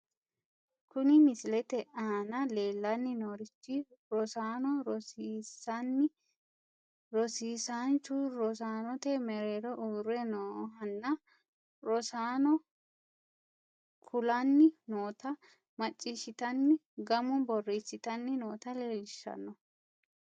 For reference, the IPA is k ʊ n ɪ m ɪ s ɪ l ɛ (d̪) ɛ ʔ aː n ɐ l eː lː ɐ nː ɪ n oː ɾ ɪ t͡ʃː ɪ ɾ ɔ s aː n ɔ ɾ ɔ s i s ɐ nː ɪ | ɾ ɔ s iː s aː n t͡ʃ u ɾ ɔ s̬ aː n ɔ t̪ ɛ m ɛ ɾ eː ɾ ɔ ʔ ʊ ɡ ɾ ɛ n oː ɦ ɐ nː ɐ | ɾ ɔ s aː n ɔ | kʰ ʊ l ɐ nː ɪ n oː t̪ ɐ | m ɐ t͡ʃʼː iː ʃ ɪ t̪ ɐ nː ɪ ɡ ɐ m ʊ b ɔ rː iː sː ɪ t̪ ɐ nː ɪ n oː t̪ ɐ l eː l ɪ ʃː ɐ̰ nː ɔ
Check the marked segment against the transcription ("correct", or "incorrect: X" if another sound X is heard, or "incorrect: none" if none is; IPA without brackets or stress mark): incorrect: t̪